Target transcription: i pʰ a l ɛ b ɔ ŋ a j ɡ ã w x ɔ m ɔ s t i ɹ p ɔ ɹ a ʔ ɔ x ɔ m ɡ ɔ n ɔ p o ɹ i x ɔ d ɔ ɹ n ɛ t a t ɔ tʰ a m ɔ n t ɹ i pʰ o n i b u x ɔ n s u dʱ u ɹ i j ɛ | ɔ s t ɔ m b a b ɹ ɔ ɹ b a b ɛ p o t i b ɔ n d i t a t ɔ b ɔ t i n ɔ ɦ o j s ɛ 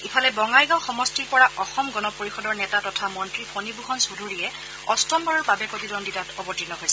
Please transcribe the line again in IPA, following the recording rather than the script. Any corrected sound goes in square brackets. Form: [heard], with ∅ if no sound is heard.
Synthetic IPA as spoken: i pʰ a l ɛ b ɔ ŋ a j ɡ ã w x ɔ m ɔ s t i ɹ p ɔ ɹ a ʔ ɔ x ɔ m ɡ ɔ n ɔ p o ɹ i x ɔ d ɔ ɹ n ɛ t a t ɔ tʰ a m ɔ n t ɹ i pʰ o n i b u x ɔ n s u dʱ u ɹ i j ɛ | ɔ s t ɔ m b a [∅] ɹ ɔ ɹ b a b ɛ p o t i [d] ɔ n d i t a t ɔ b ɔ t i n ɔ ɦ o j s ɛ